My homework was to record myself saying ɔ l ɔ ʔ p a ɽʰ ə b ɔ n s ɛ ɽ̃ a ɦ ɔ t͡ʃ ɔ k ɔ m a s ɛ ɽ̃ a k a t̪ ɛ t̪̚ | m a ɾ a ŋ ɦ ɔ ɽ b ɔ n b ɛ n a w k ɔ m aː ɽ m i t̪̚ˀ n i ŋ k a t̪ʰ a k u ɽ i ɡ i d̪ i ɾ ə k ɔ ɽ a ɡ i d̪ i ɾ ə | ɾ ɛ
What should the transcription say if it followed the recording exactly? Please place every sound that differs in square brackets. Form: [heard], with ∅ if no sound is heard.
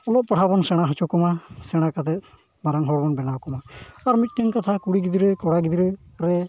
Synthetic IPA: ɔ l ɔ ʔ p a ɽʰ [a] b ɔ n s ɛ ɽ̃ a ɦ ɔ t͡ʃ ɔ k ɔ m a s ɛ ɽ̃ a k a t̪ ɛ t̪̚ | m a ɾ a ŋ ɦ ɔ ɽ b ɔ n b ɛ n a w k ɔ m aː [ɾ] m i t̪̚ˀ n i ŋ k a t̪ʰ a k u ɽ i ɡ i d̪ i ɾ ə k ɔ ɽ a ɡ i d̪ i ɾ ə | ɾ ɛ